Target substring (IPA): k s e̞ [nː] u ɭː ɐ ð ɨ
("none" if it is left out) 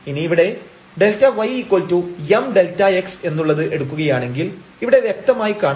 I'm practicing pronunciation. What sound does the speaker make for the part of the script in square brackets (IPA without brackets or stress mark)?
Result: nː